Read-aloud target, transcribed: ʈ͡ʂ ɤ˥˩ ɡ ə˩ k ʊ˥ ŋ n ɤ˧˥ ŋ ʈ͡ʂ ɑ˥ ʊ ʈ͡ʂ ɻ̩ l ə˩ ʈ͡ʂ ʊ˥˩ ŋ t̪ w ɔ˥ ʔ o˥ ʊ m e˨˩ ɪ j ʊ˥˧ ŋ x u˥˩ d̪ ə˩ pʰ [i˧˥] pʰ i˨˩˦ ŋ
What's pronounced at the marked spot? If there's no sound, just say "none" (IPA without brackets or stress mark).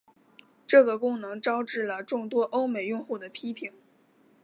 i˥